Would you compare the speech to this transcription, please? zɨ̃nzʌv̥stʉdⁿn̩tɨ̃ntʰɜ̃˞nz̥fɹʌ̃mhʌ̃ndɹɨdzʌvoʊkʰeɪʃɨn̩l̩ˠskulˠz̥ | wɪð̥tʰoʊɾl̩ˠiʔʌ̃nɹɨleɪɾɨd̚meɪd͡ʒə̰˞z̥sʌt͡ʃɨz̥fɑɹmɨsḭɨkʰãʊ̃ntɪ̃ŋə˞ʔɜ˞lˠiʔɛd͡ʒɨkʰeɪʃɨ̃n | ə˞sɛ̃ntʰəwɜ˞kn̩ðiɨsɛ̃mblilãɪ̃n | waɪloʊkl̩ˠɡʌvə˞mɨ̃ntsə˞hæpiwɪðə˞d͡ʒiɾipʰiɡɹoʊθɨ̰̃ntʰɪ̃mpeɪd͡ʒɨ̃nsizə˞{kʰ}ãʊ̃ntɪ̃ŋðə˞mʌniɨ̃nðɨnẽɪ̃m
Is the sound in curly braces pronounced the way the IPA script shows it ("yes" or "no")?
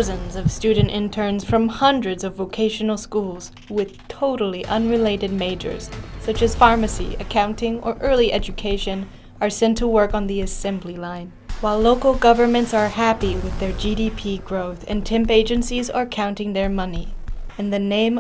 yes